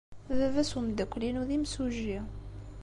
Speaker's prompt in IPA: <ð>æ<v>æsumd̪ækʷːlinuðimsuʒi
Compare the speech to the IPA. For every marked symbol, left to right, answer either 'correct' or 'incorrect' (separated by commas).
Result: correct, correct